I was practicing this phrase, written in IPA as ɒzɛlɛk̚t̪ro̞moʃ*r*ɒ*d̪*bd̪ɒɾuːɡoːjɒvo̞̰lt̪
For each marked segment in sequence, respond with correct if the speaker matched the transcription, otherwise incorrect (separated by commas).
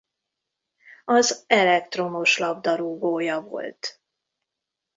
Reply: incorrect, incorrect